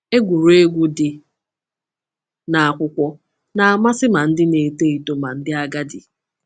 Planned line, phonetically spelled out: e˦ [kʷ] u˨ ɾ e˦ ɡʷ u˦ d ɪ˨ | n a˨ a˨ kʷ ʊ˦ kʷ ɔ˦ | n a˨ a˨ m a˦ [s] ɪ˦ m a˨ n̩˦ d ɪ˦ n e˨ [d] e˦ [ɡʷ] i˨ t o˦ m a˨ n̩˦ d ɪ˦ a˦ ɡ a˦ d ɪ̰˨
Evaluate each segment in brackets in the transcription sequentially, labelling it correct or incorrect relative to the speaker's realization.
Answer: incorrect: ɡʷ, correct, incorrect: t, incorrect: none

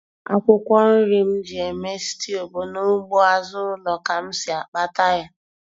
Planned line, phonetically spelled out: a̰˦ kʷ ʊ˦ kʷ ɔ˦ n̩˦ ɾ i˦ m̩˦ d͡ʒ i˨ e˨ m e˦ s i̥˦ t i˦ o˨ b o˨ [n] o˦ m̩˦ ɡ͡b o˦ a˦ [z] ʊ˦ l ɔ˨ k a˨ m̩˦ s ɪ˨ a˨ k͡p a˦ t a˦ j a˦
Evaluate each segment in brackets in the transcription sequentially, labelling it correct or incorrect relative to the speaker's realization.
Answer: correct, correct

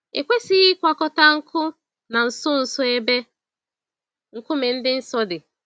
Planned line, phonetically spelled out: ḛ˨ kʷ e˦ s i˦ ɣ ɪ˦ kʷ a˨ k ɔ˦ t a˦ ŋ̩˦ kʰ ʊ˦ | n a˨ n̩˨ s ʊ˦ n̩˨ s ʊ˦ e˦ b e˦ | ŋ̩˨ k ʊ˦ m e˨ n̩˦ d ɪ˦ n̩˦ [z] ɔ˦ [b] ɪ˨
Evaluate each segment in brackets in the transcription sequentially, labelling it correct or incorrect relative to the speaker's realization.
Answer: incorrect: s, incorrect: d

